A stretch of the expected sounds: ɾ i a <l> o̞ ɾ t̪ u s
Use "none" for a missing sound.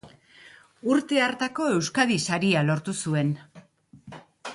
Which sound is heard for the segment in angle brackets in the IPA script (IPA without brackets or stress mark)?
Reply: l